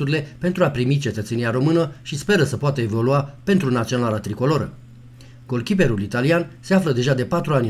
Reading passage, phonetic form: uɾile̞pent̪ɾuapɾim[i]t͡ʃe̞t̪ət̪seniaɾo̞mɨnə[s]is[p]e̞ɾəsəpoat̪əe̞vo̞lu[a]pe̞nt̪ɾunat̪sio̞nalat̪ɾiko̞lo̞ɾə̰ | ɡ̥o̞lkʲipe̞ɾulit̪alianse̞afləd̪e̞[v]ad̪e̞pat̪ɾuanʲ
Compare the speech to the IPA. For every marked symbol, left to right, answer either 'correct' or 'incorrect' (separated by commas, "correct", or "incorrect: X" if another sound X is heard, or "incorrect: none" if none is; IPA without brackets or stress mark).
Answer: correct, incorrect: ʃ, correct, correct, incorrect: ʒ